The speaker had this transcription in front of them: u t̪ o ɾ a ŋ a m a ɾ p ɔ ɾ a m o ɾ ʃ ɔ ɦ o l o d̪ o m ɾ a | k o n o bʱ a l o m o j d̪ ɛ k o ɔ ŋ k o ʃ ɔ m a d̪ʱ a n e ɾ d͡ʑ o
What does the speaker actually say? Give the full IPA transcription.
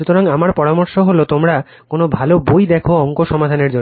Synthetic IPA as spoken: u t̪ o ɾ a ŋ a m a ɾ p ɔ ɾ a m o ɾ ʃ o ɦ o l o t̪ o m ɾ a | k o n o bʱ a l o b o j d̪ ɛ kʰ o ɔ ŋ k o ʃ ɔ m a d̪ʱ a n e ɾ d͡ʑ o